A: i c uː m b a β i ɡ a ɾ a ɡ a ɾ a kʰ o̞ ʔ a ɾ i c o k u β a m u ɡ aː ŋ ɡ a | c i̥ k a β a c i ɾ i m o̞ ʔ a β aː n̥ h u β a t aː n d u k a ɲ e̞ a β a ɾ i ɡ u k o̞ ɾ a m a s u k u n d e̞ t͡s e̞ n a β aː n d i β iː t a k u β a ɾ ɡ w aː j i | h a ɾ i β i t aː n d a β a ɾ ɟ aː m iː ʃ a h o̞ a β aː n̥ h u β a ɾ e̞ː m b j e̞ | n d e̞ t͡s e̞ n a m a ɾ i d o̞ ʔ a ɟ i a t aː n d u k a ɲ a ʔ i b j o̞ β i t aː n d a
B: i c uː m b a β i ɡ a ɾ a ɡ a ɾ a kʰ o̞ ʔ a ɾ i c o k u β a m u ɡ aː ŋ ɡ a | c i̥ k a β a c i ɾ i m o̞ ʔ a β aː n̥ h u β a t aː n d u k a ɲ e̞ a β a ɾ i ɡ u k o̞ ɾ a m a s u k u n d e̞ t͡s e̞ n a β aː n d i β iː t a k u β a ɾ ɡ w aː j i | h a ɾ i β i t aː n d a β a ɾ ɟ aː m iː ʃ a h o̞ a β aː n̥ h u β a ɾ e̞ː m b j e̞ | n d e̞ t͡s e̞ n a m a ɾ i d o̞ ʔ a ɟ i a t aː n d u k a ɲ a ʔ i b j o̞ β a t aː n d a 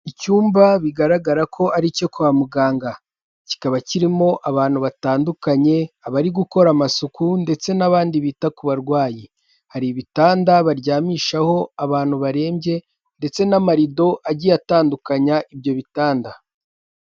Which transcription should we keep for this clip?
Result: A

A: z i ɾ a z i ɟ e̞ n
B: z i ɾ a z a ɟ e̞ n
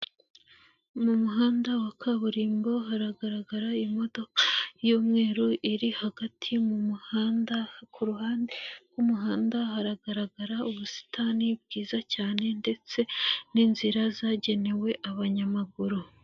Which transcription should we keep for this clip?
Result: B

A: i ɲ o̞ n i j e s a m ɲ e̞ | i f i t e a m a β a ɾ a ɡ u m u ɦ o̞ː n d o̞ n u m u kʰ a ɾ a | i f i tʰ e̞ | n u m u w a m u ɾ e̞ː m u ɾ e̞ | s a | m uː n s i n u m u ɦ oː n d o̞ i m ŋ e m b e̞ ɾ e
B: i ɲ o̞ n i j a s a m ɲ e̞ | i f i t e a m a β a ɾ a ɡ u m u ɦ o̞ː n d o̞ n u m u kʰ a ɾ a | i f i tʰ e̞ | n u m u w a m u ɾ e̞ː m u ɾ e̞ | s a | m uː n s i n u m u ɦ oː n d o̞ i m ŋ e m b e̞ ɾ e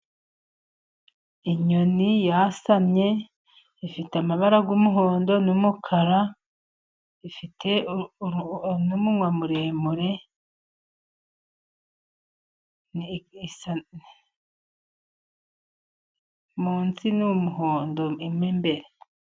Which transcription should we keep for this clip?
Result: B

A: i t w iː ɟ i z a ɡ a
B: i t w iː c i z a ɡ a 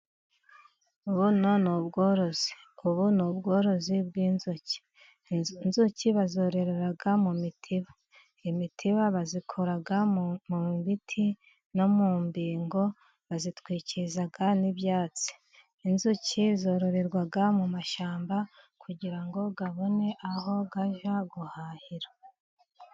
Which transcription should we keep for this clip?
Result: B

